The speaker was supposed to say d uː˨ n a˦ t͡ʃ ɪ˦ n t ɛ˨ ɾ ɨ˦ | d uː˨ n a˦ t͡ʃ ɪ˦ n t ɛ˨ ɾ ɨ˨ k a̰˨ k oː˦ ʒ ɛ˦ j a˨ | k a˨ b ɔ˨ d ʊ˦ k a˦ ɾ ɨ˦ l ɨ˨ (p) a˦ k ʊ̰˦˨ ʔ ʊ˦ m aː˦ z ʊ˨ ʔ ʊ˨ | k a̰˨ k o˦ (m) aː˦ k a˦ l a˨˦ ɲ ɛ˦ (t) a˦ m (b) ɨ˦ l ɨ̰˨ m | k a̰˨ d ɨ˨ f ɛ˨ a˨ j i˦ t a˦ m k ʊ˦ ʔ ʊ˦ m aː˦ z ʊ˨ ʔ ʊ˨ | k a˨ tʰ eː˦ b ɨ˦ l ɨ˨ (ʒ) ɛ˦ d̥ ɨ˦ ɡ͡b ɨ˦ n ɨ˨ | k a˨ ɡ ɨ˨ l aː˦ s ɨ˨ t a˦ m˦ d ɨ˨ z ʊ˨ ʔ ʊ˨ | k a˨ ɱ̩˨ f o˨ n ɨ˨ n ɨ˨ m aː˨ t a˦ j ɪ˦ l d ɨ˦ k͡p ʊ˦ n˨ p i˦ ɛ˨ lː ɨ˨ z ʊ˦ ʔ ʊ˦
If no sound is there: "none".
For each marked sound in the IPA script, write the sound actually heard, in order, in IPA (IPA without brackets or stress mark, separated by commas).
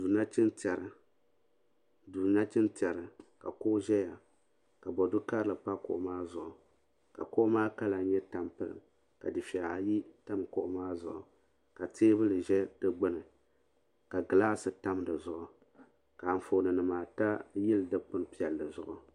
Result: p, m, t, p, ʒ